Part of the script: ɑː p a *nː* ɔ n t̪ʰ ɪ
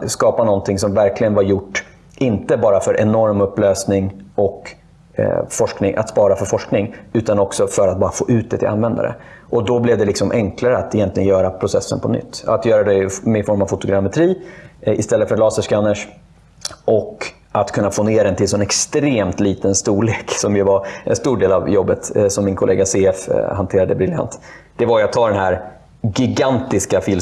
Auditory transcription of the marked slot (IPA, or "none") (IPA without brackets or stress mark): n